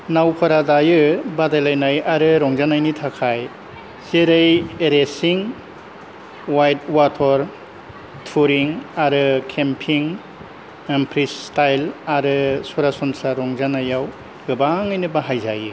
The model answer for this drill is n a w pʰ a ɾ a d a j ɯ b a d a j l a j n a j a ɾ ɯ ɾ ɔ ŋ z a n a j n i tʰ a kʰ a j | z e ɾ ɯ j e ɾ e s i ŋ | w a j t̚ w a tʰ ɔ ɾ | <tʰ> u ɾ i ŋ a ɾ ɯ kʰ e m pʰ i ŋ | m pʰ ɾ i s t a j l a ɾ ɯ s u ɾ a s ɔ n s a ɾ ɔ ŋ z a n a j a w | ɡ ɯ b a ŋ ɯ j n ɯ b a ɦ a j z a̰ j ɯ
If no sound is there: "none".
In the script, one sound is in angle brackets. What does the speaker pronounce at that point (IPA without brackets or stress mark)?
tʰ